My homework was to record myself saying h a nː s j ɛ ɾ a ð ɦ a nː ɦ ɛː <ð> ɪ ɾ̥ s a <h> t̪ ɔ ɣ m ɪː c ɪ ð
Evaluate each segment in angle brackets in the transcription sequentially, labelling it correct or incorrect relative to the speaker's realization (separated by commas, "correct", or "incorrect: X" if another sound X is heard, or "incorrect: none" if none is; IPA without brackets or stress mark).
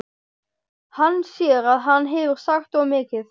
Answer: incorrect: v, incorrect: x